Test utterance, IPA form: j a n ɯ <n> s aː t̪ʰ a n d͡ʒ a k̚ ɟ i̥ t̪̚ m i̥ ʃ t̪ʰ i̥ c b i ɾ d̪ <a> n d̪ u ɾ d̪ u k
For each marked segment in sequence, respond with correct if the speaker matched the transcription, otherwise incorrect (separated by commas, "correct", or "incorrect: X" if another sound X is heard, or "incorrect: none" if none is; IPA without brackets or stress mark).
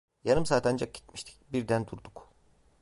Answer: incorrect: m, incorrect: æ